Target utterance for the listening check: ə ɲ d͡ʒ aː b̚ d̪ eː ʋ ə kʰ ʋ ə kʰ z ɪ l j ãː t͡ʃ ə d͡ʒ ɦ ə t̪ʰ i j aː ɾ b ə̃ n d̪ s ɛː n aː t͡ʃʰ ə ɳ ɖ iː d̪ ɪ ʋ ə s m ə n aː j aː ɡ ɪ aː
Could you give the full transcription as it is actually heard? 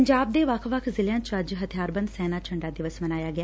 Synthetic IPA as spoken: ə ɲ d͡ʒ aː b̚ d̪ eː ʋ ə kʰ ʋ ə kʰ z ɪ l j ãː t͡ʃ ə d͡ʒ ɦ ə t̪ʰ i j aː ɾ b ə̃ n d̪ s ɛː n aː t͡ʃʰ ə ɳ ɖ aː d̪ ɪ ʋ ə s m ə n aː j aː ɡ ɪ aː